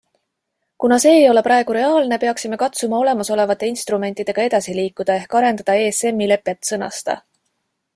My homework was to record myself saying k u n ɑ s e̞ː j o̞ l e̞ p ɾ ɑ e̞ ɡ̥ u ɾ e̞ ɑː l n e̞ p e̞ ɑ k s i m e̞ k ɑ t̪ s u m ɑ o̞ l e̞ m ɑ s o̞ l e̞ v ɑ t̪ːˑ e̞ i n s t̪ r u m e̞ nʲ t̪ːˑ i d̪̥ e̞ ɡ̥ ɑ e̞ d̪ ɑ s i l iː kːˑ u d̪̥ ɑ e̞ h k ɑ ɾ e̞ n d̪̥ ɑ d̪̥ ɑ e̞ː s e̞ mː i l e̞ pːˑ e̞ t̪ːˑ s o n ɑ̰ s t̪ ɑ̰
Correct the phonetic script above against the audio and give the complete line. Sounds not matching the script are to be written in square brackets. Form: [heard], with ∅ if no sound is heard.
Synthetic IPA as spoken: k u n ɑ s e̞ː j o̞ l e̞ p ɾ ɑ e̞ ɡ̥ u ɾ e̞ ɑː l n e̞ p e̞ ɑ k s i m e̞ k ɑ t̪ s u m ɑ o̞ l e̞ m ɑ s o̞ l e̞ v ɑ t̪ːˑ e̞ i n s t̪ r u m e̞ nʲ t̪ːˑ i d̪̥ e̞ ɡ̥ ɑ e̞ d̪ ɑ s i l iː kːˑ u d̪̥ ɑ e̞ h k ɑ ɾ e̞ n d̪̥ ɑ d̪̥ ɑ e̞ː s e̞ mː i l e̞ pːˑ e̞ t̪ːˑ s [ɤ] n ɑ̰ s t̪ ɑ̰

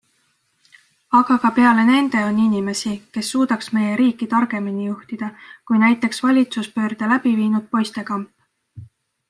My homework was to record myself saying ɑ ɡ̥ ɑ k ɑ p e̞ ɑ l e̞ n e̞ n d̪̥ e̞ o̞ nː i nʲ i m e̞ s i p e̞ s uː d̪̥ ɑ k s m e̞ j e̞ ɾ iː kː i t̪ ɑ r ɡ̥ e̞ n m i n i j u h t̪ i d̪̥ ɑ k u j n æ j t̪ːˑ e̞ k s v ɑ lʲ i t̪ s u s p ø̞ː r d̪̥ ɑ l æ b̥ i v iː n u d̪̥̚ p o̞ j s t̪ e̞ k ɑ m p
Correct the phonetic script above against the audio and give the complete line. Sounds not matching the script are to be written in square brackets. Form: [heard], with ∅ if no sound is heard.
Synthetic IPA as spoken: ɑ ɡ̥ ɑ k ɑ p e̞ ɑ l e̞ n e̞ n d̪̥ e̞ o̞ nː i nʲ i m e̞ s i [k] e̞ [sː] uː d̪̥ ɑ k s m e̞ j e̞ ɾ iː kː i t̪ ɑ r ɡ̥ e̞ [∅] m i n i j u h t̪ i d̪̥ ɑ k u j n æ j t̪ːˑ e̞ k s v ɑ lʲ i t̪ s u s p ø̞ː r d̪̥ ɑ l æ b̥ i v iː n u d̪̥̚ p o̞ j s t̪ e̞ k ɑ m p

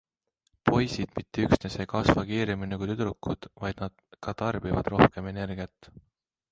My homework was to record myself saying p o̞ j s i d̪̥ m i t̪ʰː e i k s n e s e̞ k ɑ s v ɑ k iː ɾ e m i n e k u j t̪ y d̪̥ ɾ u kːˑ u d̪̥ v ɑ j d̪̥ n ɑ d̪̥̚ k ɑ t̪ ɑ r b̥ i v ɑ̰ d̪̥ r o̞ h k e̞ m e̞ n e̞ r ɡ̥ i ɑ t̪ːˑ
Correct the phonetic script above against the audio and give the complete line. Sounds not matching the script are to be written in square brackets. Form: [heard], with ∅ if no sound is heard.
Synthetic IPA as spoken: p o̞ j s i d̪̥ m i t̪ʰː e [y] k s n e s e̞ k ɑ s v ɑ k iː ɾ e m i n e k u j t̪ y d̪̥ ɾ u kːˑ u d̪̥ v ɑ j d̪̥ n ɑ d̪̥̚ k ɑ t̪ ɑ r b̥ i v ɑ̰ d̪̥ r o̞ h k e̞ m e̞ n e̞ r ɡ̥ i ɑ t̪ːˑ

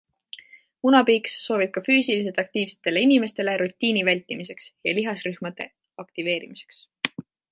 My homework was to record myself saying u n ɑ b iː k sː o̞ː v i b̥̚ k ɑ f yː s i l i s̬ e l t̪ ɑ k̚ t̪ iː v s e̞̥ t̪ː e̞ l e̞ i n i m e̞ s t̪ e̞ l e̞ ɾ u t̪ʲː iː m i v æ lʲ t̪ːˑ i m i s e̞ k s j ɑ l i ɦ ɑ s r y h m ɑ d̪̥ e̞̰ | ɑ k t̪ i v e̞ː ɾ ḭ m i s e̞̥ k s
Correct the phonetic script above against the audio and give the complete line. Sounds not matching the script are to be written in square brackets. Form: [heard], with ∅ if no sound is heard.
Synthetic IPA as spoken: u n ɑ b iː k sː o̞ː v i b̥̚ k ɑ f yː s i l i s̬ e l t̪ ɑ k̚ t̪ iː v s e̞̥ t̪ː e̞ l e̞ i n i m e̞ s t̪ e̞ l e̞ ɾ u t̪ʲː iː [n] i v æ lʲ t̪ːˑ i m i s e̞ k s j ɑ l i ɦ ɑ s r y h m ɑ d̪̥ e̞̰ | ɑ k t̪ i v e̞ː ɾ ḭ m i s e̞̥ k s

